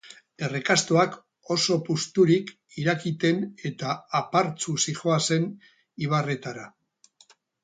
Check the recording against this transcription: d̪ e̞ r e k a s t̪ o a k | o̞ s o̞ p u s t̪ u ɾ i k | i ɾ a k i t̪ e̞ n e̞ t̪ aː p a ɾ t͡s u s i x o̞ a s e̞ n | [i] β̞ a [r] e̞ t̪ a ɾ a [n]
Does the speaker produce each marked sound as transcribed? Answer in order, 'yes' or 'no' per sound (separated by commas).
yes, yes, no